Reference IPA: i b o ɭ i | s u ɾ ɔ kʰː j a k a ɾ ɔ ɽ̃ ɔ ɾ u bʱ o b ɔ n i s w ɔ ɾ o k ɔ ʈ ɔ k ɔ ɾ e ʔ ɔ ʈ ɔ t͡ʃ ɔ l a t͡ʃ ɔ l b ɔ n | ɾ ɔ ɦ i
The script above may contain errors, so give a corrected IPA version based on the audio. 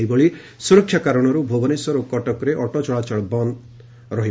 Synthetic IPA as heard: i b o ɭ i | s u ɾ ɔ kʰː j a k a ɾ ɔ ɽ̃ ɔ ɾ u bʱ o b ɔ n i s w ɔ ɾ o k ɔ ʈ ɔ k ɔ ɾ e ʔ ɔ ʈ ɔ t͡ʃ ɔ ɭ a t͡ʃ ɔ ɭ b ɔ n | ɾ ɔ ɦ i